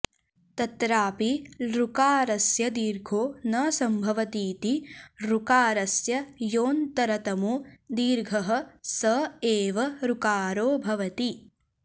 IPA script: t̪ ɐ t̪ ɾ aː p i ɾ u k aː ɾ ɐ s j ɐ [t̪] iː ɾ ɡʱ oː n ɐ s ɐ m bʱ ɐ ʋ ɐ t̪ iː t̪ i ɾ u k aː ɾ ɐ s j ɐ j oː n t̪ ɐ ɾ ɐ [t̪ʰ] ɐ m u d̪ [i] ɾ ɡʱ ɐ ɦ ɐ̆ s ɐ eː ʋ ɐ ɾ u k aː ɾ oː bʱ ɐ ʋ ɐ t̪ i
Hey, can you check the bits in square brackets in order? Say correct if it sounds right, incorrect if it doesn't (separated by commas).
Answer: incorrect, incorrect, incorrect